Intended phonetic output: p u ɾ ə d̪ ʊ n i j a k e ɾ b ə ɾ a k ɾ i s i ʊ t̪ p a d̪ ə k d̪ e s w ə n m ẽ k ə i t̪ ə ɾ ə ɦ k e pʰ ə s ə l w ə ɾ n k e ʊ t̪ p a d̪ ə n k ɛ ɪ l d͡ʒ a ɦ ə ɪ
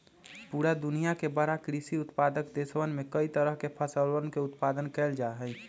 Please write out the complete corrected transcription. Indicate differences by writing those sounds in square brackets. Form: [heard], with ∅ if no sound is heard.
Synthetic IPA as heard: p u ɾ [a] d̪ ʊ n i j a k e [∅] b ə ɾ a k ɾ i s i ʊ t̪ p a d̪ ə k d̪ e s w ə n m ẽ k ə i t̪ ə ɾ ə ɦ k e pʰ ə s ə l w ə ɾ n k e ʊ t̪ p a d̪ ə n k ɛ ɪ l d͡ʒ a ɦ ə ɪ

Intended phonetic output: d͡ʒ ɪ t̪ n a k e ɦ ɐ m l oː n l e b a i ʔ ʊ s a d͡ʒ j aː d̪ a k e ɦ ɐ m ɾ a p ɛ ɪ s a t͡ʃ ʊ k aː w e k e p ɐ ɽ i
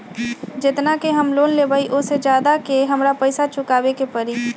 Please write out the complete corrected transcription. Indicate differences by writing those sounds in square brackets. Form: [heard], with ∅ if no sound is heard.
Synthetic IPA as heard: d͡ʒ ɪ t̪ n a k e ɦ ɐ m l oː n l e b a i ʔ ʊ s [e] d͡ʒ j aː d̪ a k e ɦ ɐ m ɾ a p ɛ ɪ s a t͡ʃ ʊ k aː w e k e p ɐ [ɾ] i

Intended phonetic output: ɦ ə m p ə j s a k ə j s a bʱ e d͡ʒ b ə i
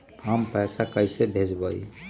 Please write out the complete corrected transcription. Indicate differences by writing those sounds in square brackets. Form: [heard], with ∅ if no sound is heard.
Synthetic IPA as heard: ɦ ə m p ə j s a k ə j s [e] bʱ e d͡ʒ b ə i

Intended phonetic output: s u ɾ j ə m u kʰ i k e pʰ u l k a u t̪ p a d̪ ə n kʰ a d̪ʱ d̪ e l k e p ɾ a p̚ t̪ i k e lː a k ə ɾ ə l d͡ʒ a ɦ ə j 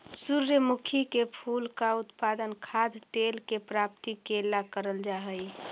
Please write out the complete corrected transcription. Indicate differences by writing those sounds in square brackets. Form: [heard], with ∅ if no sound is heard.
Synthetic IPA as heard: s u ɾ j ə m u kʰ i k e pʰ u l k a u t̪ p a d̪ ə n kʰ a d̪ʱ [t̪] e l k e p ɾ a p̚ t̪ i k e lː a k ə ɾ ə l d͡ʒ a ɦ ə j

